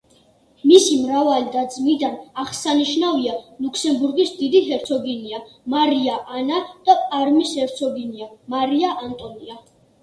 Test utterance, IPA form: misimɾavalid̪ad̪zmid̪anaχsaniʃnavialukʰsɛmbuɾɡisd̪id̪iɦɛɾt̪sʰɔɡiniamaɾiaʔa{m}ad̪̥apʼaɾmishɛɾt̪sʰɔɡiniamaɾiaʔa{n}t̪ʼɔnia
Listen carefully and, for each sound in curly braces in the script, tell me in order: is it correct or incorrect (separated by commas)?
incorrect, correct